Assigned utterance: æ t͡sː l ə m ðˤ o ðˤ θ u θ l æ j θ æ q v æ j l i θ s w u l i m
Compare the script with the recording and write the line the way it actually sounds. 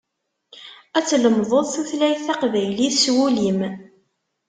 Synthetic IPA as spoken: æ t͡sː l ə m ðˤ o ðˤ θ u θ l æ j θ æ q v æ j l i θ s w u l i m